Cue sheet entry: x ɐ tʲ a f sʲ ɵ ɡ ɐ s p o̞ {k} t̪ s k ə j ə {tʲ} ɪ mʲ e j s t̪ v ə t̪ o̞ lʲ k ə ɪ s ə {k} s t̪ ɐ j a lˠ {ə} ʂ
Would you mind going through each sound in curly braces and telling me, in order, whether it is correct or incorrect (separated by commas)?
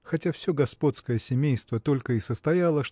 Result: incorrect, incorrect, incorrect, correct